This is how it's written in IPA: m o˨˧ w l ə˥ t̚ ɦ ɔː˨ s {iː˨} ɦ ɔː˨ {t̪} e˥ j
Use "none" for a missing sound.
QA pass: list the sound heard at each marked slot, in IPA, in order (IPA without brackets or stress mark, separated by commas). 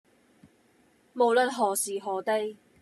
iː˨, t̪